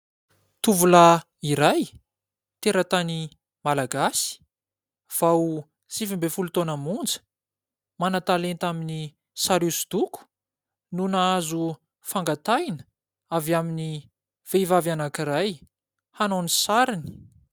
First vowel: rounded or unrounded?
rounded